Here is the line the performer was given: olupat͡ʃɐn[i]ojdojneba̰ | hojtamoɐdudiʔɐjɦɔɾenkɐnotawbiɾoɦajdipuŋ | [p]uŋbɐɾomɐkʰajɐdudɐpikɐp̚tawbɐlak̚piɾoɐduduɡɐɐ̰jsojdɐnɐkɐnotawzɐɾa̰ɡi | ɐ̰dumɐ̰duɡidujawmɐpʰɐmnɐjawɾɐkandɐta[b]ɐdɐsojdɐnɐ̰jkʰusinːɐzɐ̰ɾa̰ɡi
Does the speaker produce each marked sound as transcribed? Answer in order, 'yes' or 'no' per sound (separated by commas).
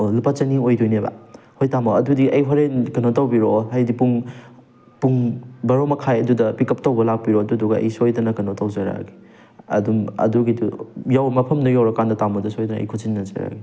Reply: yes, yes, no